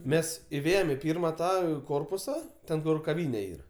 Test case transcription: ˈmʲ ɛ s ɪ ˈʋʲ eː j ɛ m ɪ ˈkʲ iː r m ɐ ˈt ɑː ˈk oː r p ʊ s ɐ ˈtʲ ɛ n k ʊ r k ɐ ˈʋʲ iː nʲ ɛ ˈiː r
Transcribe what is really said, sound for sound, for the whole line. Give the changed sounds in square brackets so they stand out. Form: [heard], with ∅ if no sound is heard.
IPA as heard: ˈmʲ ɛ s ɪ ˈʋʲ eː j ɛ m ɪ [ˈpʲ] iː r m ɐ ˈt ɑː ˈk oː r p ʊ s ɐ ˈtʲ ɛ n k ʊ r k ɐ ˈʋʲ iː nʲ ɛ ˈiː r